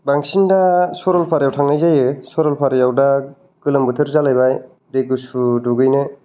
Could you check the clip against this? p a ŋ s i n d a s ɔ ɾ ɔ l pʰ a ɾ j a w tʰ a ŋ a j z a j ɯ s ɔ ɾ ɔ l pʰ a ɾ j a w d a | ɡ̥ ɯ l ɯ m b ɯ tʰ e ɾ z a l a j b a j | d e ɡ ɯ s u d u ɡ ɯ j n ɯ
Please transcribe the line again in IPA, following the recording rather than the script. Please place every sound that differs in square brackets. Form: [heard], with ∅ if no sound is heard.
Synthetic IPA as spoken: [b] a ŋ s i n d a s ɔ ɾ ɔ l pʰ a ɾ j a w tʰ a ŋ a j z a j ɯ s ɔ ɾ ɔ l pʰ a ɾ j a w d a | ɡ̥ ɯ l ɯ m b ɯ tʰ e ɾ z a l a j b a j | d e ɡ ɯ s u d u ɡ ɯ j n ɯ